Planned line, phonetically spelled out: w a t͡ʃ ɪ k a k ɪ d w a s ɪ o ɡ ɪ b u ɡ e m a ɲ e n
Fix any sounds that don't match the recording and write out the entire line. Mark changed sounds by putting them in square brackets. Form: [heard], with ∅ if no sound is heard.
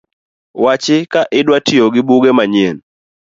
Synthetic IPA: w a t͡ʃ ɪ k a [ʔ] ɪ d w a [t] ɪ o ɡ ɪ b u ɡ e m a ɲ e n